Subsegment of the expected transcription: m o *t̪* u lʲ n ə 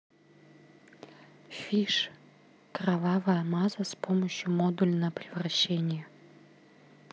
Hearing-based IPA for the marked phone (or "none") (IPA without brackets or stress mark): d̪